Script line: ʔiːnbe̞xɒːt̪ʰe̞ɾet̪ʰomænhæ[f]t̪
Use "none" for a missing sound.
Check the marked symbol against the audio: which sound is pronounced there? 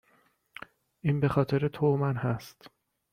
s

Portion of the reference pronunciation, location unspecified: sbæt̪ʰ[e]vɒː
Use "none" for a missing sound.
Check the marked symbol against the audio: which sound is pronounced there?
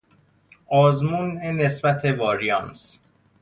e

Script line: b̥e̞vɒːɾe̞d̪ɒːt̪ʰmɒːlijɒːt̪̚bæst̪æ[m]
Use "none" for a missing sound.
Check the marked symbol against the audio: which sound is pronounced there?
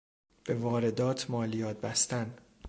n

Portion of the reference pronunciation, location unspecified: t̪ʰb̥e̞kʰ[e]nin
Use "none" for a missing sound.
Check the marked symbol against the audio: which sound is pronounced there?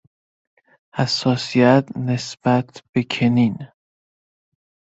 e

